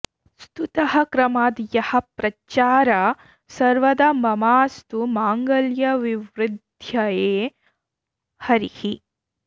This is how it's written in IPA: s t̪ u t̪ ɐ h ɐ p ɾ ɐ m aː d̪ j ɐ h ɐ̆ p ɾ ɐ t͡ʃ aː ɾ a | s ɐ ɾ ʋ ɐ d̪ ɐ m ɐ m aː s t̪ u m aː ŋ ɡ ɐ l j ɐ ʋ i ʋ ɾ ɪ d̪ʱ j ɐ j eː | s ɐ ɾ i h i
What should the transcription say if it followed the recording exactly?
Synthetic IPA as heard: s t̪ u t̪ ɐ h ɐ k ɾ ɐ m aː d̪ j ɐ h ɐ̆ p ɾ ɐ t͡ʃ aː ɾ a | s ɐ ɾ ʋ ɐ d̪ ɐ m ɐ m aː s t̪ u m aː ŋ ɡ ɐ l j ɐ ʋ i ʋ ɾ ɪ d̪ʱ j ɐ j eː | h ɐ ɾ i h i